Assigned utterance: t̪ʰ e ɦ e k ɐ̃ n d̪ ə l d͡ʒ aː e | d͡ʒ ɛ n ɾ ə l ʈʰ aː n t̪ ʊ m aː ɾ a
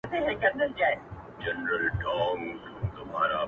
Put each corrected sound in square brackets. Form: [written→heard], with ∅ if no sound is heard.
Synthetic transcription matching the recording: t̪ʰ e ɦ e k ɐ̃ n d̪ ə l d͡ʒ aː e | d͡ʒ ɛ n ɾ ə l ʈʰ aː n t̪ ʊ m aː ɾ a